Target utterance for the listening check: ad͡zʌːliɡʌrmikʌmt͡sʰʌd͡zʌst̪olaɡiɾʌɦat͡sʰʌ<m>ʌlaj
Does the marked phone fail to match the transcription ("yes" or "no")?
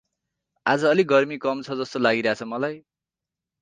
no